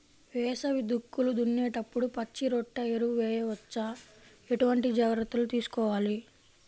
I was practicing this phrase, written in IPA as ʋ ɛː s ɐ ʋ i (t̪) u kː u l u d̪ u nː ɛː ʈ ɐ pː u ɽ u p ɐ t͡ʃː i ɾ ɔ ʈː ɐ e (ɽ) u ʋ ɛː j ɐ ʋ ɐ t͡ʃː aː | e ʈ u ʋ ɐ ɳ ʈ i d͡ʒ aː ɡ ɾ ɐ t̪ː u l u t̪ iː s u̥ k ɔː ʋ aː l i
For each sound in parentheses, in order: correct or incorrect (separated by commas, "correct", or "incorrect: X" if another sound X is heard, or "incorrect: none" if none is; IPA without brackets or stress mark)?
incorrect: d̪, incorrect: ɾ